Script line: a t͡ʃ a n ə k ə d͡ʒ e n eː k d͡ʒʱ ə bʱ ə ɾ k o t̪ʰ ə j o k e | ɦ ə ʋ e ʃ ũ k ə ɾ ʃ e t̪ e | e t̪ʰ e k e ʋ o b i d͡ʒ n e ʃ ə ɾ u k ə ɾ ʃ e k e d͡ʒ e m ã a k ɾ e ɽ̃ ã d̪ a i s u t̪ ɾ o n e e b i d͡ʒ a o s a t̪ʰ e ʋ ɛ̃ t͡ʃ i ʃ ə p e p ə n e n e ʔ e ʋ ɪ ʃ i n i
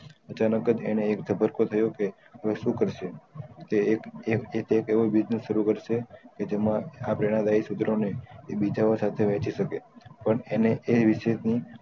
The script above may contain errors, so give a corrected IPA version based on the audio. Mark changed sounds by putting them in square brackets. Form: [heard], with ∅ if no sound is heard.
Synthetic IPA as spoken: [ə] t͡ʃ a n ə k ə d͡ʒ e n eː k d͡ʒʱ ə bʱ ə ɾ k o t̪ʰ ə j o k e | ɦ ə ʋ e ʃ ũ k ə ɾ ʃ e t̪ e | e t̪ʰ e k e ʋ o b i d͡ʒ n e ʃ ə ɾ u k ə ɾ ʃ e k e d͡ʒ e m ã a [p] ɾ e ɽ̃ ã d̪ a i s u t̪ ɾ o n e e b i d͡ʒ a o s a t̪ʰ e ʋ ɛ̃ t͡ʃ i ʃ ə [k] e p ə [ɳ] e n e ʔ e ʋ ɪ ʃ [e] n i